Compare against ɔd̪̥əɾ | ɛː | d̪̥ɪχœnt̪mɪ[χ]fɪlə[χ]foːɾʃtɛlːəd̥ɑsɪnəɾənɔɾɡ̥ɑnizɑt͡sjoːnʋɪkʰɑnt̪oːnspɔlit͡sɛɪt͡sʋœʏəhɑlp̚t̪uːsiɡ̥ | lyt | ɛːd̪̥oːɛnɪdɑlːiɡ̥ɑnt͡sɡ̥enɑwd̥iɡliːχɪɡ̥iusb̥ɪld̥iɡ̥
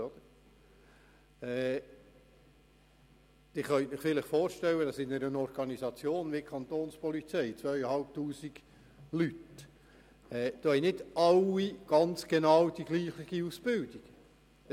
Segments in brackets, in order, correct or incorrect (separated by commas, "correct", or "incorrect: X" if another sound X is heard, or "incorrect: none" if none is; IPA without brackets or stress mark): correct, correct